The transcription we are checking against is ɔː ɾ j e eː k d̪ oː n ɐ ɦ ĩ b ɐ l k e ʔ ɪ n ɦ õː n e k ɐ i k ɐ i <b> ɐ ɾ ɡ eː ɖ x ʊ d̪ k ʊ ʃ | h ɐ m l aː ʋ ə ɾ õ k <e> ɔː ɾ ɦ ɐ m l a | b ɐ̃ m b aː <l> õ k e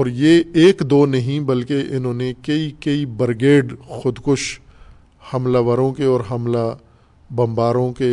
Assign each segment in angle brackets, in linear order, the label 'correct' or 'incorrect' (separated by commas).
correct, correct, incorrect